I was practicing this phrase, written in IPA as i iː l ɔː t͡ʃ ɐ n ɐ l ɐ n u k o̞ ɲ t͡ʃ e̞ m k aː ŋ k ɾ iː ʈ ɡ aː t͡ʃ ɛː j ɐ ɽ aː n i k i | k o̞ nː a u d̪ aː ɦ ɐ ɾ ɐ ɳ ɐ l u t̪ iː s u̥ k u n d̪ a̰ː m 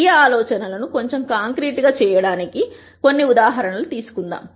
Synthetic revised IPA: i aː l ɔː t͡ʃ ɐ n ɐ l ɐ n u k o̞ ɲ t͡ʃ e̞ m k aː ŋ k ɾ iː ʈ ɡ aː t͡ʃ ɛː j ɐ ɽ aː n i k i | k o̞ nː i u d̪ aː ɦ ɐ ɾ ɐ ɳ ɐ l u t̪ iː s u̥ k u n d̪ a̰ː m

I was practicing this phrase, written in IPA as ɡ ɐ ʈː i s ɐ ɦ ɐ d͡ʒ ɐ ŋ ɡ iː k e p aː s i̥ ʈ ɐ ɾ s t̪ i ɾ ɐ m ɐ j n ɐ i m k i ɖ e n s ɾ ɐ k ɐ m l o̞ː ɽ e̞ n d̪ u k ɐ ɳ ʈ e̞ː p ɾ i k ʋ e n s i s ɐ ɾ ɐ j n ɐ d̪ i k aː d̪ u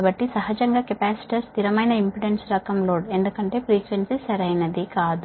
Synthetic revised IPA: b ɐ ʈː i s ɐ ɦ ɐ d͡ʒ ɐ ŋ ɡ aː k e p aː s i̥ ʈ ɐ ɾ s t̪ i ɾ ɐ m ɐ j n ɐ i m p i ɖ e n s ɾ ɐ k ɐ m l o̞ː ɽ e̞ n d̪ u k ɐ ɳ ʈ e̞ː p ɾ iː k ʋ e n s i s ɐ ɾ ɐ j n ɐ d̪ i k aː d̪ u

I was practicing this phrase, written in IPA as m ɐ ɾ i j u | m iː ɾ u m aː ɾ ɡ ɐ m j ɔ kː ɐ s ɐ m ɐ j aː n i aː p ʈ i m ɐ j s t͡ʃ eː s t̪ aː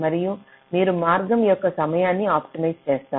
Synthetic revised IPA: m ɐ ɾ i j u | m iː ɾ u m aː ɾ ɡ ɐ m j ɔ kː ɐ s ɐ m ɐ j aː nː i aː p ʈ i m ɐ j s t͡ʃ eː s t̪ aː

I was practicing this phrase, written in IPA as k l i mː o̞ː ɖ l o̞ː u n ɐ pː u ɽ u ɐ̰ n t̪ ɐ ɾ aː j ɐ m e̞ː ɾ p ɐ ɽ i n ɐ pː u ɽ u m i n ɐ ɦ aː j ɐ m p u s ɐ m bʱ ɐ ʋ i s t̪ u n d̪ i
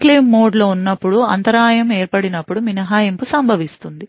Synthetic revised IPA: k l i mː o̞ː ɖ l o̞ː u nː ɐ pː u ɽ u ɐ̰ n t̪ ɐ ɾ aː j ɐ m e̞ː ɾ p ɐ ɽ i n ɐ pː u ɽ u m i n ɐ ɦ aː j ɐ m p u s ɐ m bʱ ɐ ʋ i s t̪ u n d̪ i

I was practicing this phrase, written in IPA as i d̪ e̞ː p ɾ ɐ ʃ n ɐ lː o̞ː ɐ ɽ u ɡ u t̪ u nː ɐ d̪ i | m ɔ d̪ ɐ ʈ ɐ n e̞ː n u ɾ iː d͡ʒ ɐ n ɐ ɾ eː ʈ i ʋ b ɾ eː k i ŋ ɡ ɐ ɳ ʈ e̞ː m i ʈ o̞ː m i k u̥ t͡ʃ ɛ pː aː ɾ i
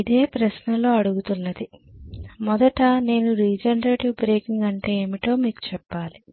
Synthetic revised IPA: i d̪ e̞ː p ɾ ɐ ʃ n ɐ l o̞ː ɐ ɽ u ɡ u t̪ u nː ɐ d̪ i | m ɔ d̪ ɐ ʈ ɐ n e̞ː n u ɾ iː d͡ʒ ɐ n ɐ ɾ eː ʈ i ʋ b ɾ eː k i ŋ ɡ ɐ ɳ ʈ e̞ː m i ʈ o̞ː m iː k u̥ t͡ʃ ɛ pː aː l i

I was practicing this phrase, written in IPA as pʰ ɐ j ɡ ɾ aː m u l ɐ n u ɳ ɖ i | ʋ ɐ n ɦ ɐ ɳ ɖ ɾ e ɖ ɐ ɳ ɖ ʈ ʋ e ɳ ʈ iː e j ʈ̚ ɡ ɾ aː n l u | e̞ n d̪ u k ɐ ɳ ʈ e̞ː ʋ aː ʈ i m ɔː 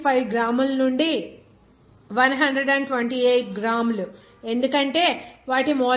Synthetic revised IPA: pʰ ɐ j ɡ ɾ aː m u l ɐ n u ɳ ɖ i | ʋ ɐ n ɦ ɐ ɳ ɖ ɾ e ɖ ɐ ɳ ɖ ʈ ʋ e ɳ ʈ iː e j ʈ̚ ɡ ɾ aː m l u | e̞ n d̪ u k ɐ ɳ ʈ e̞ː ʋ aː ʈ i m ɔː

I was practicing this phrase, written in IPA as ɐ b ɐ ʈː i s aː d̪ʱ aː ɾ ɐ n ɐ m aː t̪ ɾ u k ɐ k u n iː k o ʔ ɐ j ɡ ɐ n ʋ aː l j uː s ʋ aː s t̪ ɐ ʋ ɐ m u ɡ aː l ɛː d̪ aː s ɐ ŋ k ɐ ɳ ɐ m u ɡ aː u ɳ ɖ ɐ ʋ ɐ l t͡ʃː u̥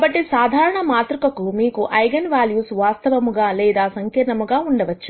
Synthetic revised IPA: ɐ b ɐ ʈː i s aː d̪ʱ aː ɾ ɐ ɳ ɐ m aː t̪ ɾ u k ɐ k u m iː k u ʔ ɐ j ɡ ɐ n ʋ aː l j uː s ʋ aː s t̪ ɐ ʋ ɐ m u ɡ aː l ɛː d̪ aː s ɐ ŋ k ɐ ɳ ɐ m u ɡ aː u ɳ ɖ ɐ ʋ ɐ t͡ʃː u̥

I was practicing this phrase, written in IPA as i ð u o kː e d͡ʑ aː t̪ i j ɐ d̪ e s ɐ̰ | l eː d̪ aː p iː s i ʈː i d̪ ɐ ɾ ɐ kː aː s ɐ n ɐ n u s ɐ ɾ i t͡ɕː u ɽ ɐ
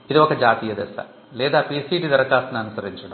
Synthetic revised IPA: i ð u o kː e d͡ʑ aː t̪ i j ɐ d̪ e s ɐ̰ | l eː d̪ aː p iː s i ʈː i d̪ ɐ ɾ ɐ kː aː s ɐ n ɐ n u s ɐ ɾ i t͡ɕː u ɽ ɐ

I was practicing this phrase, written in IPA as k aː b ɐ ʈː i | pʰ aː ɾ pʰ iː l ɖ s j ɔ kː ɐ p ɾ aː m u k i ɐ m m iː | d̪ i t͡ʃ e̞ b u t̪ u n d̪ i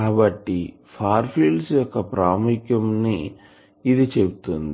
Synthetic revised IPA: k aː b ɐ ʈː i | pʰ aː ɾ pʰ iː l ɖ s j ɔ kː ɐ p ɾ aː m u k j ɐ m n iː | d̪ i t͡ʃ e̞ b u t̪ u n d̪ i

